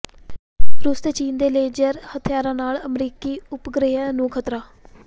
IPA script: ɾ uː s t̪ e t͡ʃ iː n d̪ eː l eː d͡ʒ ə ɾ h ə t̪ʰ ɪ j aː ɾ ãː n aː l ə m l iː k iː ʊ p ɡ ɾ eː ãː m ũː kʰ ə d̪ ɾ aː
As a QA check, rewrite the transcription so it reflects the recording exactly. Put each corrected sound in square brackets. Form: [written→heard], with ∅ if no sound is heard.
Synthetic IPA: ɾ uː s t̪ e t͡ʃ iː n d̪ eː l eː d͡ʒ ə ɾ h ə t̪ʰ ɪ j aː ɾ ãː n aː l ə m [l→ɾ] iː k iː ʊ p ɡ ɾ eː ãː [m→n] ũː kʰ ə [d̪→t̪] ɾ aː